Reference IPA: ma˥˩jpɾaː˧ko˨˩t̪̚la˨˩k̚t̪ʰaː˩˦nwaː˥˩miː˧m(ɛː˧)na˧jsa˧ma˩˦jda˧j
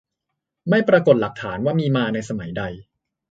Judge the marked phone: incorrect: aː˧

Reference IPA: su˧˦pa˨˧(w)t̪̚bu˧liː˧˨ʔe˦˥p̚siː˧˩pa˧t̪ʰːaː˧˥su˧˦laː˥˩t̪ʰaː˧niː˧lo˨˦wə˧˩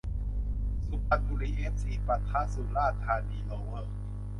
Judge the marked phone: incorrect: none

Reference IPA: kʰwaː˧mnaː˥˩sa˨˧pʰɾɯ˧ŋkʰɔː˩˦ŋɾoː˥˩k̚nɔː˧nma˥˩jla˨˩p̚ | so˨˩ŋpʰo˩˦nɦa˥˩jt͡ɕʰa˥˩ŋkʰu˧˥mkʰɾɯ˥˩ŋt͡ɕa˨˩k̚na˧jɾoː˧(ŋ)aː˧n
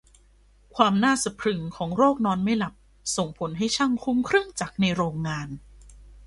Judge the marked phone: incorrect: ŋː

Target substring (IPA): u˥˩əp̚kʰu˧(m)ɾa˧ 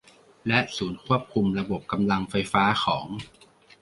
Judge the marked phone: correct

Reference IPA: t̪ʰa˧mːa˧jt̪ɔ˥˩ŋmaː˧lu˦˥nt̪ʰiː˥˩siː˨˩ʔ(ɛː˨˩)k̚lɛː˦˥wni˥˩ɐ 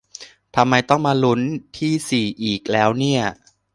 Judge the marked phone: incorrect: iː˨˩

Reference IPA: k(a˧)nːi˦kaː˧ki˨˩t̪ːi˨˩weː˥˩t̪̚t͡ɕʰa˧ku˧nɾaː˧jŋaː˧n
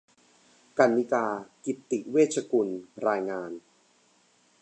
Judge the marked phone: correct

